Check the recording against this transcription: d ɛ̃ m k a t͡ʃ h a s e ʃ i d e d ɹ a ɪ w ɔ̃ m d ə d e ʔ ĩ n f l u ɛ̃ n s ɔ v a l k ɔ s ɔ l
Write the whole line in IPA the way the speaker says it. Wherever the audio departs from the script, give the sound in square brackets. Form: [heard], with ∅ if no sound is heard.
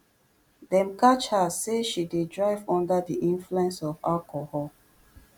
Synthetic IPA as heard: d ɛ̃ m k a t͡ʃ h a s e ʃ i d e d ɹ a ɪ [v] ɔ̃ [n] d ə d [i] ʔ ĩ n f l u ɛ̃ n s ɔ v a l k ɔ [h] ɔ l